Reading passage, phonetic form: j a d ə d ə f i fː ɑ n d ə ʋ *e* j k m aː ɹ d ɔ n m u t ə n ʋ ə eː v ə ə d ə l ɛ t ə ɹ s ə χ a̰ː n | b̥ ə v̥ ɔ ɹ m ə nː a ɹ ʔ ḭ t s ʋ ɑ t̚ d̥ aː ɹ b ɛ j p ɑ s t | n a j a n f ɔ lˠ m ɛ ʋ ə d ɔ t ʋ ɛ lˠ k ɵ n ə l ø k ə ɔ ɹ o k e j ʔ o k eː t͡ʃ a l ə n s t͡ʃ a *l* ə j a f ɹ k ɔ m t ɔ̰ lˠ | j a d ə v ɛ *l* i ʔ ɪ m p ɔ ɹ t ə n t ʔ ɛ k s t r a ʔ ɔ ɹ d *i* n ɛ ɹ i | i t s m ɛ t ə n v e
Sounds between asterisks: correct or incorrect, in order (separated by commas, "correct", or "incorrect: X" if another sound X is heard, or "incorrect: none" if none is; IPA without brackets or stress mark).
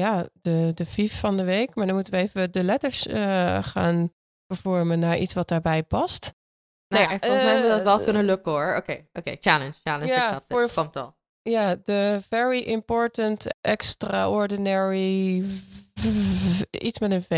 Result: correct, correct, incorrect: ɹ, correct